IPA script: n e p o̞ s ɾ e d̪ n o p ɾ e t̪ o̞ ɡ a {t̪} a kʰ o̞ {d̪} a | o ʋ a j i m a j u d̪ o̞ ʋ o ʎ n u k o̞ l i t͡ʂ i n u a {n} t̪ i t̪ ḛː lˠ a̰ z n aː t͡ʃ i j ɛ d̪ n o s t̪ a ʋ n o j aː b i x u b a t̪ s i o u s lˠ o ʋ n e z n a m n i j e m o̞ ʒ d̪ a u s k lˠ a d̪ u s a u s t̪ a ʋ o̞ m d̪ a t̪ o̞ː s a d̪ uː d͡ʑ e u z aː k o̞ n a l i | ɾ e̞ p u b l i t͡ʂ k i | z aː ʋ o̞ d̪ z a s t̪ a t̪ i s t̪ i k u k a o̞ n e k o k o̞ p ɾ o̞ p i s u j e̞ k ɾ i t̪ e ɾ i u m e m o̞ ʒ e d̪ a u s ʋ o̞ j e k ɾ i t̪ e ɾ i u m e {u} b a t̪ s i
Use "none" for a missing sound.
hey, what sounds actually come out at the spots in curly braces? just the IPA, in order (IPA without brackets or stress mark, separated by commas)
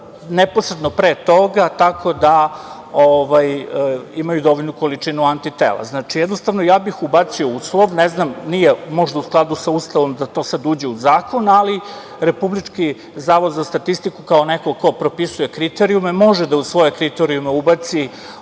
t̪, d̪, n, u